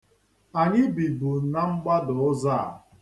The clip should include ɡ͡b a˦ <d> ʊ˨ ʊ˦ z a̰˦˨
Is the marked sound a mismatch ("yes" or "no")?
no